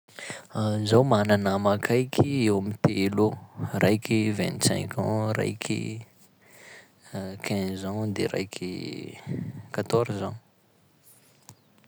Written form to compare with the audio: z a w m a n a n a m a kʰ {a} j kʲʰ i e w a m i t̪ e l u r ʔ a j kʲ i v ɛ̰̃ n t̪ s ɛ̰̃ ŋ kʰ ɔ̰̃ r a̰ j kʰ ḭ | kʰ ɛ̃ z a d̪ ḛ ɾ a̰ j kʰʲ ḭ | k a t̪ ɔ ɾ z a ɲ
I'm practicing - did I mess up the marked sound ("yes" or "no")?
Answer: no